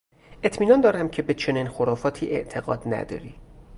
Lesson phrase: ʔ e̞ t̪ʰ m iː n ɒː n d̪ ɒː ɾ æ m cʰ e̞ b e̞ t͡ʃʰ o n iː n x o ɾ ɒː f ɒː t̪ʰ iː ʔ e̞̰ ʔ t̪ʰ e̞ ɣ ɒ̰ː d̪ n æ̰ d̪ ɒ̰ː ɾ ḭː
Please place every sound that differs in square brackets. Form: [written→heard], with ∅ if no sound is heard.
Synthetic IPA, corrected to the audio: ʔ e̞ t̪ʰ m iː n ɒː n d̪ ɒː ɾ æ m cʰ e̞ b e̞ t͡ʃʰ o n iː n x o ɾ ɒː f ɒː t̪ʰ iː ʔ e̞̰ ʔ t̪ʰ e̞ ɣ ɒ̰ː d̪ n æ̰ d̪ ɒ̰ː ɾ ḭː